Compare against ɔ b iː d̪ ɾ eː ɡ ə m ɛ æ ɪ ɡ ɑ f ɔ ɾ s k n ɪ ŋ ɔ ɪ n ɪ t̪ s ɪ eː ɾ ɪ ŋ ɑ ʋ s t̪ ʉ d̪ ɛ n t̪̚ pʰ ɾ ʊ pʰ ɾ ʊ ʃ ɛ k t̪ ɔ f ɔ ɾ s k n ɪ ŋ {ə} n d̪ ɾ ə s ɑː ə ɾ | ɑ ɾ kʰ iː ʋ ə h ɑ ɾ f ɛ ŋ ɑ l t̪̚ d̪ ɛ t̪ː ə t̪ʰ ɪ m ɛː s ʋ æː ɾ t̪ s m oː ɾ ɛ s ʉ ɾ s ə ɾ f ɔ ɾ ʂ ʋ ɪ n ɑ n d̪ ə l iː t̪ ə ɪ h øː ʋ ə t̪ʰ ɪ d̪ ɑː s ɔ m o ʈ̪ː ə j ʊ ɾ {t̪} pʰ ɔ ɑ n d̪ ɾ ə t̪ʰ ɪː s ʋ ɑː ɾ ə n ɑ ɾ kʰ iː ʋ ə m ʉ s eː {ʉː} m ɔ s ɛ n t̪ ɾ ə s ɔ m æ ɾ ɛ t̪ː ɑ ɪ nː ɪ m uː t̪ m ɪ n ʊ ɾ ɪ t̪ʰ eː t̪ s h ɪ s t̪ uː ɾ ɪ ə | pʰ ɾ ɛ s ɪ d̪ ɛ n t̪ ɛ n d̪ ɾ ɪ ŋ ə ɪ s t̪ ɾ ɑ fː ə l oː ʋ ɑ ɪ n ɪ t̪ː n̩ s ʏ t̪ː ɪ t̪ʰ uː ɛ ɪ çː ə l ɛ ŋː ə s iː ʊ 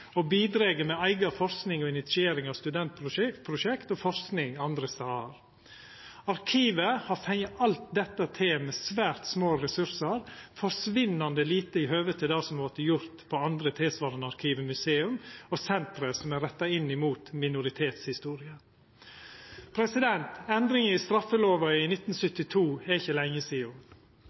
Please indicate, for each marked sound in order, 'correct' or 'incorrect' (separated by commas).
incorrect, correct, incorrect